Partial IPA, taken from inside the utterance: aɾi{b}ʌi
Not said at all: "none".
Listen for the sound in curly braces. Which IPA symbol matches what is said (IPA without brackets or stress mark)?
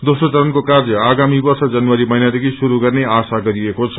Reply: m